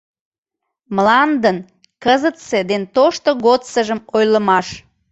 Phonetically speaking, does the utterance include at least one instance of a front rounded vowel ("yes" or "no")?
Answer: no